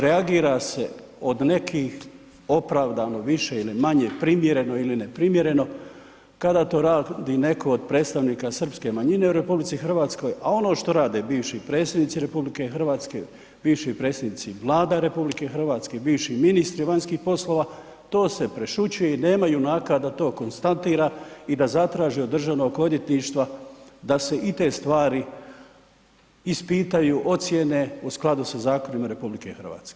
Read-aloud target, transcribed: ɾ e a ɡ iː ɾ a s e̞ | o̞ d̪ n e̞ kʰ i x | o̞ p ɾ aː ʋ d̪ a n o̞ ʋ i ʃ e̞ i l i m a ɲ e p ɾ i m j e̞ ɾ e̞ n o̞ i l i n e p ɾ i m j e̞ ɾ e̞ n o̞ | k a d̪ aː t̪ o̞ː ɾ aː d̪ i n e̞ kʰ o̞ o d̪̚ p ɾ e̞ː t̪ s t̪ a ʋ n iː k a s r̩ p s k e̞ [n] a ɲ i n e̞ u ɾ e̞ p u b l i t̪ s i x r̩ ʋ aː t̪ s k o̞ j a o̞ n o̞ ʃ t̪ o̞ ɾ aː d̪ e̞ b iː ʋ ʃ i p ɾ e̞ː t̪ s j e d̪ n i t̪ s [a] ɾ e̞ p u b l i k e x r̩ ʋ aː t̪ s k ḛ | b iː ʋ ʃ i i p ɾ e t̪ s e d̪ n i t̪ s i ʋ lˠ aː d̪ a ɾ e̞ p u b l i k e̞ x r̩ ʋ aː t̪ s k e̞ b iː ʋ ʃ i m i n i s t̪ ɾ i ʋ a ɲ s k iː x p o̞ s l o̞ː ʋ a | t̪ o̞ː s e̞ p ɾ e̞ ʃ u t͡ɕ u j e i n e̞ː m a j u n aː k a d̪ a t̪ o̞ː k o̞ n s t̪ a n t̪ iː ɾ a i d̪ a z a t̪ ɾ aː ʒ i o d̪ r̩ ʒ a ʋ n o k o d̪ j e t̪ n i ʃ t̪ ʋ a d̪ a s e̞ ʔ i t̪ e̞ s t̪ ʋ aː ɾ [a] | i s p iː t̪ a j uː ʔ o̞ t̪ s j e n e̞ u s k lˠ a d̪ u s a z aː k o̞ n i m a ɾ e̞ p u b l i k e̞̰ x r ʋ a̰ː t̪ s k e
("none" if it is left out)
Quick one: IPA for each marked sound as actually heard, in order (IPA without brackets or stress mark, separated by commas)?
m, i, i